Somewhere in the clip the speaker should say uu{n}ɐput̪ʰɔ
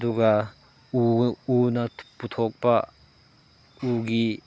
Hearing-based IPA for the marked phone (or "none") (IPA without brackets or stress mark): n